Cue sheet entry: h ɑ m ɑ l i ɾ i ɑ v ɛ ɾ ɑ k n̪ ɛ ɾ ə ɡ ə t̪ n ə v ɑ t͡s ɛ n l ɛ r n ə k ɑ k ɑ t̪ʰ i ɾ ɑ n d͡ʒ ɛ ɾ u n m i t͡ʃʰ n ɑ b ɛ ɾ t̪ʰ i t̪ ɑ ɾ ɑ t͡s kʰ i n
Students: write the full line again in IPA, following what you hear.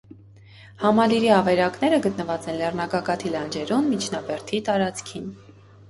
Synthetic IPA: h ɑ m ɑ l i ɾ i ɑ v ɛ ɾ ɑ k n̪ ɛ ɾ ə ɡ ə t̪ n ə v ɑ t͡s ɛ n l ɛ r n ɑ k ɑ k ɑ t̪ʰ i l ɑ n d͡ʒ ɛ ɾ u n m i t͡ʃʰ n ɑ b ɛ ɾ t̪ʰ i t̪ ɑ ɾ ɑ t͡s kʰ i n